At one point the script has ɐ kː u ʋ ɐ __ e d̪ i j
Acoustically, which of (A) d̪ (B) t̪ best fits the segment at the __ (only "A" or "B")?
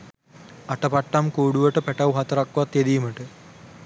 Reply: B